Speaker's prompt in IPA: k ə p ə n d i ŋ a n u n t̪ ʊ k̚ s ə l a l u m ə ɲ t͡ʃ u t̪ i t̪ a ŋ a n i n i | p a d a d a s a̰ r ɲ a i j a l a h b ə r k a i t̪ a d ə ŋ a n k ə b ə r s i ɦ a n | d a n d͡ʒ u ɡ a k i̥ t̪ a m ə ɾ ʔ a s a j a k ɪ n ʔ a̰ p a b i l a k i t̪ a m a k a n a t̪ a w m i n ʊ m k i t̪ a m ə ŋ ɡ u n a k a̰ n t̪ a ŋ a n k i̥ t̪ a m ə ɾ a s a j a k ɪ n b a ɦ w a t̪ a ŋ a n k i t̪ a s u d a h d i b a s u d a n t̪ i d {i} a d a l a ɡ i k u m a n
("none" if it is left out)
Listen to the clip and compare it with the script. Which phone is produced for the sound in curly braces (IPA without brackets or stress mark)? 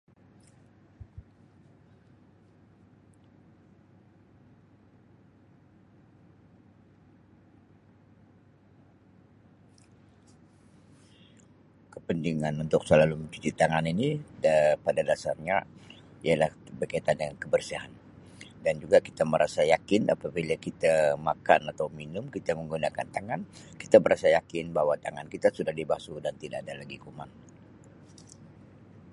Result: a